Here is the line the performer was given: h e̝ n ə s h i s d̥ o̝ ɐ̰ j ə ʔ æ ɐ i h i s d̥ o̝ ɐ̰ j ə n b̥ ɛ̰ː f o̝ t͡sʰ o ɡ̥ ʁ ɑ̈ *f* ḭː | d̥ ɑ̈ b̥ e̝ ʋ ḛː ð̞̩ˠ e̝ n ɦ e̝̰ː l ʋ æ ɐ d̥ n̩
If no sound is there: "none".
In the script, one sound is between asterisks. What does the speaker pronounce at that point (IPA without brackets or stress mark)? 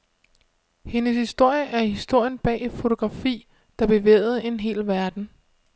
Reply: f